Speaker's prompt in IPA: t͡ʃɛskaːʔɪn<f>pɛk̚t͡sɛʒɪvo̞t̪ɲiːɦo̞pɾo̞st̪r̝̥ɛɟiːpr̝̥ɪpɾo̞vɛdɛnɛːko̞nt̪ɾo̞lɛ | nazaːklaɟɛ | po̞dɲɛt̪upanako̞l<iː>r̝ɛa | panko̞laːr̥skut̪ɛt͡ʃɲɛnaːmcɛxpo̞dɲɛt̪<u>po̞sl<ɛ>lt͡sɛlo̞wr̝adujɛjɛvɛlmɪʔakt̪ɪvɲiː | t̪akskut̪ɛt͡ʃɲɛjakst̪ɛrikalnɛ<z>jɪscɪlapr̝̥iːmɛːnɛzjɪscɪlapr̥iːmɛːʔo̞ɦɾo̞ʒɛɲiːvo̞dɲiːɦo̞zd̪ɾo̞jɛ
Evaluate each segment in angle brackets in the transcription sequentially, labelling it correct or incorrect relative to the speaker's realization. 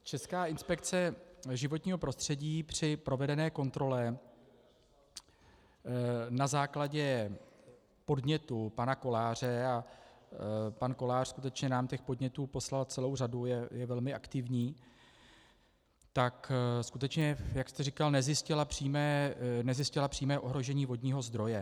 incorrect: s, incorrect: aː, incorrect: uː, incorrect: a, correct

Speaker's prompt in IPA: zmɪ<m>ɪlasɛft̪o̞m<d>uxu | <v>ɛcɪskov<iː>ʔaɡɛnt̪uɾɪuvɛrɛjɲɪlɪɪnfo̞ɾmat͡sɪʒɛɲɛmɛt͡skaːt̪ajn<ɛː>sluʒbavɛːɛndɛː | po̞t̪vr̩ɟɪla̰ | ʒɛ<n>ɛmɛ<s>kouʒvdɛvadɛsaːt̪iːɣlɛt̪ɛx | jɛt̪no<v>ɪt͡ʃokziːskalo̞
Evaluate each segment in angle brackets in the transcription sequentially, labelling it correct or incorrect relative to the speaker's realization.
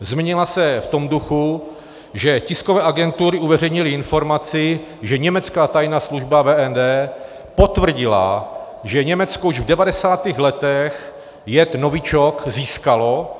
incorrect: ɲ, correct, incorrect: ʒ, incorrect: ɛː, incorrect: aː, incorrect: ɲ, incorrect: t͡s, correct

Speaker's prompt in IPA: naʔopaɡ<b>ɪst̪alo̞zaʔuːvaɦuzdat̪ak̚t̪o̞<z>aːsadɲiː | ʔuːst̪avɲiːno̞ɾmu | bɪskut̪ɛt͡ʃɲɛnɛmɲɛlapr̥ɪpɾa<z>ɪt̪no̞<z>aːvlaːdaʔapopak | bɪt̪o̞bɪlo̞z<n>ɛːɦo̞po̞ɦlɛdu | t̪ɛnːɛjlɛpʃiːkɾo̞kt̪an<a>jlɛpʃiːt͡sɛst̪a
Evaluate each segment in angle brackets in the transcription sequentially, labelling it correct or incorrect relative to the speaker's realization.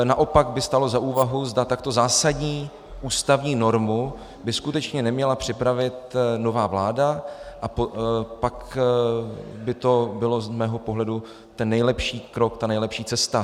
correct, correct, incorrect: v, incorrect: v, incorrect: m, incorrect: ɛ

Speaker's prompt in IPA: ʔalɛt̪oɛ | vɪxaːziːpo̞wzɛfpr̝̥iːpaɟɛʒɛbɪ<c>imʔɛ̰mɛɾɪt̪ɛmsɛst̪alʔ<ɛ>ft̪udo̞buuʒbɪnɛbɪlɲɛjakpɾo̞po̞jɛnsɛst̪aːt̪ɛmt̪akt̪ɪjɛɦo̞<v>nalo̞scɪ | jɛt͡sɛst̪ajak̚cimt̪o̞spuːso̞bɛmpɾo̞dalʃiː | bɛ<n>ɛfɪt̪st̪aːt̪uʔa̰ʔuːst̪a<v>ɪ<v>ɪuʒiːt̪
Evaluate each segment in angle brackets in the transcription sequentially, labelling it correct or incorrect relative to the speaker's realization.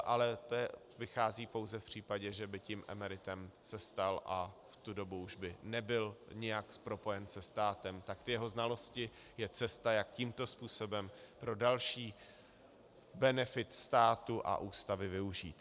correct, incorrect: a, incorrect: z, correct, correct, correct

